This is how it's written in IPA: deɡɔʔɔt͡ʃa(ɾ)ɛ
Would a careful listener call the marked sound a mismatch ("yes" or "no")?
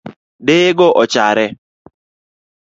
no